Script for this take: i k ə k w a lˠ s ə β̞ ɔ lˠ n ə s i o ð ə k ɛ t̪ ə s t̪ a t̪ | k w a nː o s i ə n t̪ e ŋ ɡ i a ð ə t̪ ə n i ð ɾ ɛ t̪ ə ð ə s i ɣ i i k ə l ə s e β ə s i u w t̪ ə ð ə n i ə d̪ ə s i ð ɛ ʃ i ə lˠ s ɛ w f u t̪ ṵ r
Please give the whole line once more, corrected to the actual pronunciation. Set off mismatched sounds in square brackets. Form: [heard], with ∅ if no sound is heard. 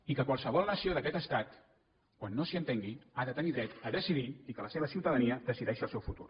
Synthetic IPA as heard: i k ə k w a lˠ s ə β̞ ɔ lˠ n ə s i o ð ə k ɛ t̪ ə s t̪ a t̪ | k w a nː o s i ə n t̪ e ŋ ɡ i a ð ə t̪ ə n i ð ɾ ɛ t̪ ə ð ə s i [ð] i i k ə l ə s e β ə s i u w t̪ ə ð ə n i ə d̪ ə s i ð ɛ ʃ i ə lˠ s ɛ w f u t̪ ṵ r